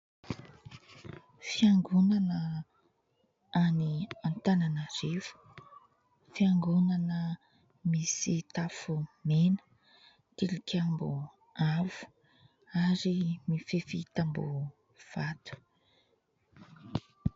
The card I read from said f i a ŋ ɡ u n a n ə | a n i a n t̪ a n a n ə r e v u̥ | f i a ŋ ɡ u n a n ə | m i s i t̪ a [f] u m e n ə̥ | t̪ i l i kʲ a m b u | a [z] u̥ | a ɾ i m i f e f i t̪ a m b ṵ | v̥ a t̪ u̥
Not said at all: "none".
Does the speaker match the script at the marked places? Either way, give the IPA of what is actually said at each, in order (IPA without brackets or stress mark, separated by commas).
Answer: f, v